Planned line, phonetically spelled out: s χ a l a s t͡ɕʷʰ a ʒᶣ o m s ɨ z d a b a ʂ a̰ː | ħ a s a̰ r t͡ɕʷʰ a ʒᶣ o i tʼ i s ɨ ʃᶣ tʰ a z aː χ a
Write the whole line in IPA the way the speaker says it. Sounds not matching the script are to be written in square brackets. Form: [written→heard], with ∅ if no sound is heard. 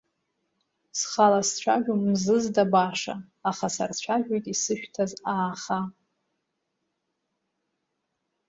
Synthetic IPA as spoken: s χ a l a s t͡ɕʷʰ a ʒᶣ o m [s→z] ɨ z d a b a ʂ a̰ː | [ħ→χ] a s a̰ r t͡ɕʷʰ a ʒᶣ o [i→j] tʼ i s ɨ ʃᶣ tʰ a z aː χ a